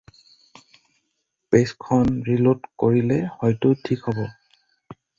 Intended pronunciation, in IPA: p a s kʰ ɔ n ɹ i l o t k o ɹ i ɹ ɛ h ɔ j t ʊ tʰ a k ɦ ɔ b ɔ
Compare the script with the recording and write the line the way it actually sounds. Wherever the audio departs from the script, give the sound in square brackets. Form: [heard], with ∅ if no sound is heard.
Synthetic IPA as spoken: p [e] s kʰ ɔ n ɹ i l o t k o ɹ i [l] ɛ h ɔ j t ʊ tʰ [i] k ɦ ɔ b ɔ

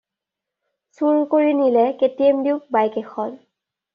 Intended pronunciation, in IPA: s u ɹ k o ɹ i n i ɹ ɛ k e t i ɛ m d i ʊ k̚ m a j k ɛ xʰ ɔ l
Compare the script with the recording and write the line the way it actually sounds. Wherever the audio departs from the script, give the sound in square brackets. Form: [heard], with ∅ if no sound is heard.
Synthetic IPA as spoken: s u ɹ k o ɹ i n i [l] ɛ k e t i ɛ m d i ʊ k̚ [b] a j k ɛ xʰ ɔ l

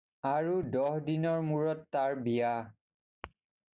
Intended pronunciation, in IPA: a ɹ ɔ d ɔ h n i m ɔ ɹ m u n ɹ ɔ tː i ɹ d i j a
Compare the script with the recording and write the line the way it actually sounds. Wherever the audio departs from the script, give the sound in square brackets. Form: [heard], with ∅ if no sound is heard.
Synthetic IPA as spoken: a ɹ [u] d ɔ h [d] i [n] ɔ ɹ m u [∅] ɹ ɔ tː [a] ɹ [b] i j a

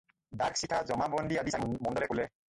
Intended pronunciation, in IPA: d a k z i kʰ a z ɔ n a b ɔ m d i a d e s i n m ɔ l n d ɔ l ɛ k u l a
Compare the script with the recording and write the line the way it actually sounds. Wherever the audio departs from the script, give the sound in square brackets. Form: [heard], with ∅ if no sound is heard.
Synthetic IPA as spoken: d a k [s] i [tʰ] a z ɔ [m] a b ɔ [n] d i a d [i] s [a] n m ɔ [∅] n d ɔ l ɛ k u l [ɛ]

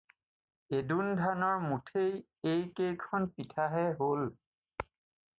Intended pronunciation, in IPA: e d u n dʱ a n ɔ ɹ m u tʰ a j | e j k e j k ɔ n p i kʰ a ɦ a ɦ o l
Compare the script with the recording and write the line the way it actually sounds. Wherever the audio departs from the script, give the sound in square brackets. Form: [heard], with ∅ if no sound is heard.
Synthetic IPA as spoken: e d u n dʱ a n ɔ ɹ m u tʰ [e] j | e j k e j [kʰ] ɔ n p i [tʰ] a ɦ [ɛ] ɦ o l

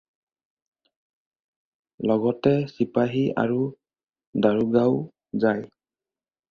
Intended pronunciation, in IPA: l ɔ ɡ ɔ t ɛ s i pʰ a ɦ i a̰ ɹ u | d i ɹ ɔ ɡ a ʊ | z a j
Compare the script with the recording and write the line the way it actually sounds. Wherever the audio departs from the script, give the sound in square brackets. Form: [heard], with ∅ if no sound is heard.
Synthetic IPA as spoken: l ɔ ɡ ɔ t ɛ s i [p] a ɦ i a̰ ɹ u | d [a] ɹ [u] ɡ a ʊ | z a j

